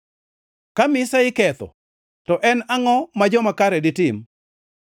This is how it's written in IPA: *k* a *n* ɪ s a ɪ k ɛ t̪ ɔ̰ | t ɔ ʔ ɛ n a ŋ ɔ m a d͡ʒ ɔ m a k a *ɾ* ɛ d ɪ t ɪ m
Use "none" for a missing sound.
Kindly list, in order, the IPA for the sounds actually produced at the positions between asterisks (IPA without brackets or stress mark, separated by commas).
k, m, ɾ